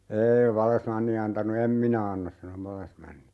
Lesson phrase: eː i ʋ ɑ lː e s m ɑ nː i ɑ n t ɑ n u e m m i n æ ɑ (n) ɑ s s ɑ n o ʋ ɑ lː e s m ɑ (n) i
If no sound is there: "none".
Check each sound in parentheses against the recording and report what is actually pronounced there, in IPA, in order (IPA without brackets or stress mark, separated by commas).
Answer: nː, nː